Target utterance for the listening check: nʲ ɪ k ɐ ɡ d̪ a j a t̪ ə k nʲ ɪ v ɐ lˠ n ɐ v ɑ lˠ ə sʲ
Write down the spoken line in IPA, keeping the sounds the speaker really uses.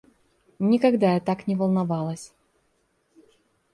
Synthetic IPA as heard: nʲ ɪ k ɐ ɡ d̪ a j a t̪ a k nʲ ɪ v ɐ lˠ n ɐ v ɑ lˠ ə sʲ